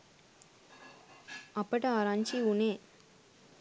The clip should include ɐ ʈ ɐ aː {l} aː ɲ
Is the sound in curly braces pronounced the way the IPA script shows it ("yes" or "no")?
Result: no